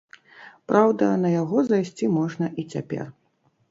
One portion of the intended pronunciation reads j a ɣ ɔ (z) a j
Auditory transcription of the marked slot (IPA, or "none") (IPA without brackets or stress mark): z